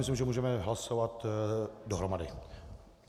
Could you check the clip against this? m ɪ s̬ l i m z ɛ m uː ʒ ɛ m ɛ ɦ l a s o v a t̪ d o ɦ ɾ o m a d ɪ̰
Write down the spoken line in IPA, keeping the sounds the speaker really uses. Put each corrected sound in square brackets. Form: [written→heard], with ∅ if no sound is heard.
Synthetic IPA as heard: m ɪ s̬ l i m [z→ʒ] ɛ m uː ʒ ɛ m ɛ ɦ l a s o v a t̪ d o ɦ ɾ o m a d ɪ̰